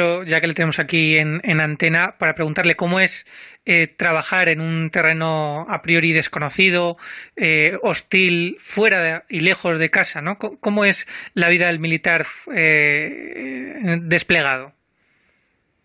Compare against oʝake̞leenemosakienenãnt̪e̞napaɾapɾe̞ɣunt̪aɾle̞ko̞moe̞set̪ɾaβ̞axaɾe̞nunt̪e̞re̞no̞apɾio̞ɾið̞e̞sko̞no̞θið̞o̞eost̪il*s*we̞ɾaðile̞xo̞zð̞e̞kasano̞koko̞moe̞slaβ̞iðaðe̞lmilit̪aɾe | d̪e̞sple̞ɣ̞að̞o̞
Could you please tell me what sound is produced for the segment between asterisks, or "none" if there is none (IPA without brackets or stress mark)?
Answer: f